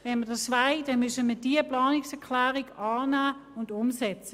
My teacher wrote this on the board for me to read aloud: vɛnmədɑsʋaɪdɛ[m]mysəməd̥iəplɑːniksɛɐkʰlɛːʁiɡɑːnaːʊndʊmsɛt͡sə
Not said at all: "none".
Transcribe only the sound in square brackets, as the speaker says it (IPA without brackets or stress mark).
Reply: n